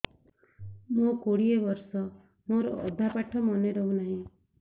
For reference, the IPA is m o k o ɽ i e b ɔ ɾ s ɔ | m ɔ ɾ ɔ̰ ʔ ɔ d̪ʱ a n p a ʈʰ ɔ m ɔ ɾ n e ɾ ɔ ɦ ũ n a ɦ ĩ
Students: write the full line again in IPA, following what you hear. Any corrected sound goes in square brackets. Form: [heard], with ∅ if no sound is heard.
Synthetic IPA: m o k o ɽ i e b ɔ ɾ s ɔ | m [o] ɾ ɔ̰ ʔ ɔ d̪ʱ a [∅] p a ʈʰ ɔ m ɔ [∅] n e ɾ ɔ ɦ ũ n a ɦ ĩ